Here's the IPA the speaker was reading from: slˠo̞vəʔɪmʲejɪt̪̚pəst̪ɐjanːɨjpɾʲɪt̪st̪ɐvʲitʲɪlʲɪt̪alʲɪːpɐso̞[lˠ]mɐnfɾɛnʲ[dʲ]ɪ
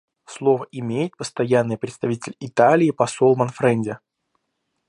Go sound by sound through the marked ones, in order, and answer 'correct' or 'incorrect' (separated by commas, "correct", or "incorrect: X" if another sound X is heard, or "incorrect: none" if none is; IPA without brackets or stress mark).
correct, correct